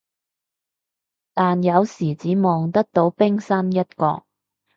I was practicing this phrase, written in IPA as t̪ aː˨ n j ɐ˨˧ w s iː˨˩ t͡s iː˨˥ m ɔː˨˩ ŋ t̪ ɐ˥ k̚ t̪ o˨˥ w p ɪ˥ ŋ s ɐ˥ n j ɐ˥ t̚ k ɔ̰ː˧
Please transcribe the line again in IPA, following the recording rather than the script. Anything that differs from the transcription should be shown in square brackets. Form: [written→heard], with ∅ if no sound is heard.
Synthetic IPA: t̪ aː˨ n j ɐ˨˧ w s iː˨˩ t͡s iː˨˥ m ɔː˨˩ ŋ t̪ ɐ˥ k̚ t̪ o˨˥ w p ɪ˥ ŋ s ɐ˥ n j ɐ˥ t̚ k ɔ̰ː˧